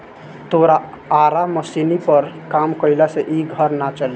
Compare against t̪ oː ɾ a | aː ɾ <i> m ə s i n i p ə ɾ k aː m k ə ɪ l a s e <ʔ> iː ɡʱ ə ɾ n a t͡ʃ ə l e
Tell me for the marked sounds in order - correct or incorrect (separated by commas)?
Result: incorrect, correct